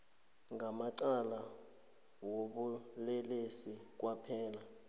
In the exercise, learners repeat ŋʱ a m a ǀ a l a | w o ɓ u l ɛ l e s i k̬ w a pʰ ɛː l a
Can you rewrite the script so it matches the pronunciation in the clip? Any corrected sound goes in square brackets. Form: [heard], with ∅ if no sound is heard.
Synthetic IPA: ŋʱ a m a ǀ a l a | w o ɓ u l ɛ l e s i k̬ w a pʰ ɛː l a